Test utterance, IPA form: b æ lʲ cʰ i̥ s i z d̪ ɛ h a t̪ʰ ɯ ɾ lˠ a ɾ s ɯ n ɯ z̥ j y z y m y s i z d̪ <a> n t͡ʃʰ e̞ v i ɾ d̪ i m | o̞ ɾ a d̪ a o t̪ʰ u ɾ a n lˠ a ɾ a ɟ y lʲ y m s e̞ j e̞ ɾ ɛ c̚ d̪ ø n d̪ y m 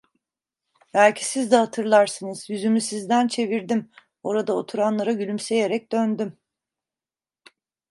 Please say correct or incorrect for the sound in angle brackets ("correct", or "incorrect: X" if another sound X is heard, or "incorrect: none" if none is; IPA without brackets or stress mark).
incorrect: æ